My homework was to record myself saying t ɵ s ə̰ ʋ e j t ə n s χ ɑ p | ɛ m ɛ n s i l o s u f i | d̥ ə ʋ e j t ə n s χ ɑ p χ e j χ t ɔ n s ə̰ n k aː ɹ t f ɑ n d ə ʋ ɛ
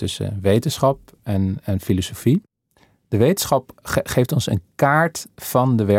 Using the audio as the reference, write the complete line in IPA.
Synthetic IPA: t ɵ s ə̰ ʋ e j t ə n s χ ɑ p | ɛ n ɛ n f i l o s o f i | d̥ ə ʋ e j t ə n s χ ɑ p χ e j f t ɔ n s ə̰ n k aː ɹ t f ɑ n d ə ʋ ɛ